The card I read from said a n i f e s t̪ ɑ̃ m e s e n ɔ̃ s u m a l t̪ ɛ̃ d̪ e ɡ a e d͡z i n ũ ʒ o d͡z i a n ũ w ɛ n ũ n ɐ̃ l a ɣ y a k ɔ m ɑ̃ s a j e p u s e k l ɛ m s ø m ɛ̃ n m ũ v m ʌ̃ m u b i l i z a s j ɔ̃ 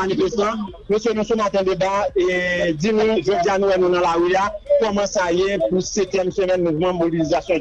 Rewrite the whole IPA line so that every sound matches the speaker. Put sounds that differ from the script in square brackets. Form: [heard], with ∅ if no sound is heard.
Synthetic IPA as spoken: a n i f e s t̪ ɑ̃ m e s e n [ũ] s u m a [∅] t̪ ɛ̃ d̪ e [b] a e d͡z i n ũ ʒ o d͡z i a n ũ w ɛ n ũ n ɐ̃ l a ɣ y a k ɔ m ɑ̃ s a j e p u s e k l ɛ m s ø m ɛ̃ n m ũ v m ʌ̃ m [o] b i l i z a s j ɔ̃